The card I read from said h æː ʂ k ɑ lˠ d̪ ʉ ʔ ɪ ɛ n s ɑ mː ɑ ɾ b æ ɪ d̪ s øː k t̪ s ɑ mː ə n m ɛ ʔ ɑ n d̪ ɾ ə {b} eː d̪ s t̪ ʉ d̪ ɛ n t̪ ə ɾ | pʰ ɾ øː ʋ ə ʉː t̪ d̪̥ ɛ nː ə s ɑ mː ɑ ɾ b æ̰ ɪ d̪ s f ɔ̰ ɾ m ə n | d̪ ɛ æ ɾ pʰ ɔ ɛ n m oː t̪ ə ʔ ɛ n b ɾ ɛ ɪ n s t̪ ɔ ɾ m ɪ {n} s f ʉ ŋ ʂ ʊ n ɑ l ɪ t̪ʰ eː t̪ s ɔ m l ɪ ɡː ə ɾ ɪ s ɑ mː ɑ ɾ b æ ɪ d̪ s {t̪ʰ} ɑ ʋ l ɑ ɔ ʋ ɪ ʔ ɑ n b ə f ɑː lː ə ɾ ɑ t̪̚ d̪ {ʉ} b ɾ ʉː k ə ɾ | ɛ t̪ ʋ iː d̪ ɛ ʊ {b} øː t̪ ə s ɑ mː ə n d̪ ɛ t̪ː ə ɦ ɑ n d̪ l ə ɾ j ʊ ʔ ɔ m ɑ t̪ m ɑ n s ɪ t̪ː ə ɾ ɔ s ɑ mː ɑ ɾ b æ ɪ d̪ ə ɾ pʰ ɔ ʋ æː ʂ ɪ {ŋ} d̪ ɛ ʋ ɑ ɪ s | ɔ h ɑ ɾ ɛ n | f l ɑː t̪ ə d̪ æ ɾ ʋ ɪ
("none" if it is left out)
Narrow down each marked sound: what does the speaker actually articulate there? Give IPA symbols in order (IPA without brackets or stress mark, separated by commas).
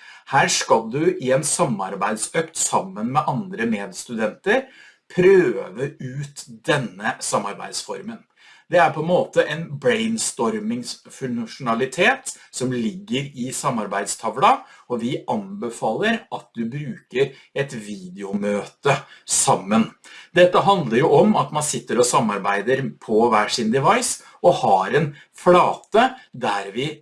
m, ŋ, t̪ʰ, ʉ, m, n